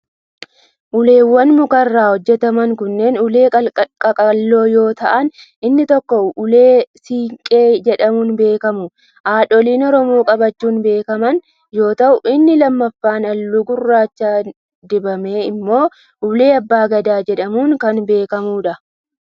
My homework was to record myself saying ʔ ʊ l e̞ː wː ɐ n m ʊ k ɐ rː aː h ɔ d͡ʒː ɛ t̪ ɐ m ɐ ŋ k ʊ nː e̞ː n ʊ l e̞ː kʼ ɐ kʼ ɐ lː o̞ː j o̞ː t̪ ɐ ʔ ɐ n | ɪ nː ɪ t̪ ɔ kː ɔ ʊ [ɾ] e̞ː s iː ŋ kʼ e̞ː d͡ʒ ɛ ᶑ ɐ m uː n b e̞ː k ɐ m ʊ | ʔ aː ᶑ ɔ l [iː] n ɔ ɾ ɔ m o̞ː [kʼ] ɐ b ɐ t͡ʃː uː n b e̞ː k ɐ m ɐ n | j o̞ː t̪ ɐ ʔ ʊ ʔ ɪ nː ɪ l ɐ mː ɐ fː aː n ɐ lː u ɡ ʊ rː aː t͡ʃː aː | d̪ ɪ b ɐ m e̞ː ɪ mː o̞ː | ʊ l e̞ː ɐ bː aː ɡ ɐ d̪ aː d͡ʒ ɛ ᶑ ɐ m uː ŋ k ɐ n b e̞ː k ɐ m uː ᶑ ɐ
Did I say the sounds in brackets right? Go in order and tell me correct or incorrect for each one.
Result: incorrect: l, correct, correct

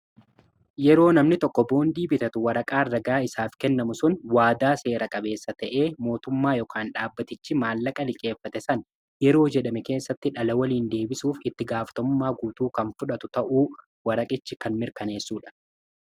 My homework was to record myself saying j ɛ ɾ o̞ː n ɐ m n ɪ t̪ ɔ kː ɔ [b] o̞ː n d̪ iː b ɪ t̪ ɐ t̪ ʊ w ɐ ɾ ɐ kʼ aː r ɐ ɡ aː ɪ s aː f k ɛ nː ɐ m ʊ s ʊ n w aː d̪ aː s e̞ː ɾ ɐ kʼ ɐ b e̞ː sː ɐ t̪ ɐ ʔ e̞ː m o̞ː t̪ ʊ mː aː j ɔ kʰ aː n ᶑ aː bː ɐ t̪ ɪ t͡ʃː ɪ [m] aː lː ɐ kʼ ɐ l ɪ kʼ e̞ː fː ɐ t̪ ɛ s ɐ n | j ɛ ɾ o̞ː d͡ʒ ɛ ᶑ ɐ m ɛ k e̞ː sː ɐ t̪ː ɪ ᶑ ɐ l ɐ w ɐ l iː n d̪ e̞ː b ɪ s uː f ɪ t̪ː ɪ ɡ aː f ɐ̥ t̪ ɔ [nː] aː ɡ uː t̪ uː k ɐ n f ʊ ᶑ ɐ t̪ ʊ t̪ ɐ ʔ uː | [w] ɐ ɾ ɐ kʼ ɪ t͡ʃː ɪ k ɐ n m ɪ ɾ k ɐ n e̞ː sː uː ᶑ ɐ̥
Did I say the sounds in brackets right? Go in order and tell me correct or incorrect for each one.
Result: correct, correct, incorrect: mː, correct

